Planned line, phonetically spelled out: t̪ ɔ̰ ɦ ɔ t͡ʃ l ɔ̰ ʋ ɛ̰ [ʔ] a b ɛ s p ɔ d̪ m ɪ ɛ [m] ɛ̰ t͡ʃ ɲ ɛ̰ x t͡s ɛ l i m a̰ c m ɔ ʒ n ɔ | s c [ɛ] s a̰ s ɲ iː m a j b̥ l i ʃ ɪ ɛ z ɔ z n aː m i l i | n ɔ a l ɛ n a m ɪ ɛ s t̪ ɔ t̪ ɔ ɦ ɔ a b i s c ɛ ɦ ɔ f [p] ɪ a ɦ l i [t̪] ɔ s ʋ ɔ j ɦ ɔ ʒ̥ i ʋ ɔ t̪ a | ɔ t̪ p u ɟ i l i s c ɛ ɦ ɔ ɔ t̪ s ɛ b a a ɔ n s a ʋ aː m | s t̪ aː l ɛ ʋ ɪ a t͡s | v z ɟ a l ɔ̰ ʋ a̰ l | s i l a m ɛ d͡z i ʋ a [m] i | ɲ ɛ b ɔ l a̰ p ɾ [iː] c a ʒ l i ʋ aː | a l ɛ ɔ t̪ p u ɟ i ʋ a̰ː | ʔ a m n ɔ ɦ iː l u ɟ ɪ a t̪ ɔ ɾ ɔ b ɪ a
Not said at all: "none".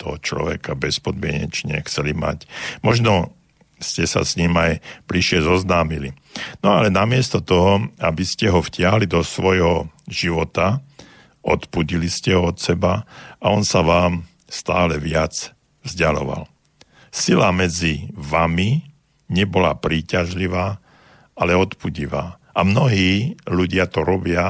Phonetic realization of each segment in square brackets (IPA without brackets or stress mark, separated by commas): k, ɲ, ɛ, c, d̪, m, iː